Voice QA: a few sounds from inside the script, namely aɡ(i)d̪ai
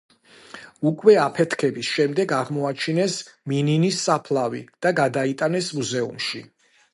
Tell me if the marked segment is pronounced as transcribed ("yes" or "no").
no